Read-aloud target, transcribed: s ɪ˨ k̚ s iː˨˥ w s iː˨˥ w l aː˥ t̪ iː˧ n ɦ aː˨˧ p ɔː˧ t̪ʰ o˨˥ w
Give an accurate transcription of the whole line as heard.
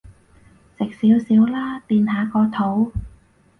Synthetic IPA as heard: s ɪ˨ k̚ s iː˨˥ w s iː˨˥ w l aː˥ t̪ iː˧ n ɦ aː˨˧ k ɔː˧ t̪ʰ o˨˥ w